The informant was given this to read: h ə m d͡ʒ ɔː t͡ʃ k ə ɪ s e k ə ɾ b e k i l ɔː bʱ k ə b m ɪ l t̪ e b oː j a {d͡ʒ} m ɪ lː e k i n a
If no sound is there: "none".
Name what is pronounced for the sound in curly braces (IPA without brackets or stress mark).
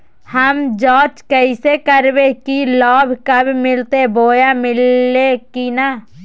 none